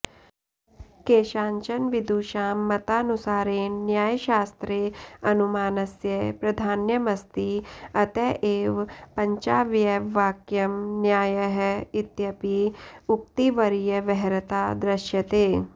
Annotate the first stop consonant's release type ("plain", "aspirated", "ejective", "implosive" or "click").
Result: plain